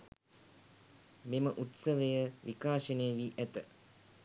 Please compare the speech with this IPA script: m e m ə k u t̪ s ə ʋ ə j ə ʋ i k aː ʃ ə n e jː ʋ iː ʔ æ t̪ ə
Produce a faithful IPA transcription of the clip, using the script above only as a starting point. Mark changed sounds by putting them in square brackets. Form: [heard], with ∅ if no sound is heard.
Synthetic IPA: m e m ə [ʔ] u t̪ s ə ʋ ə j ə ʋ i k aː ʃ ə n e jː ʋ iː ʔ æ t̪ ə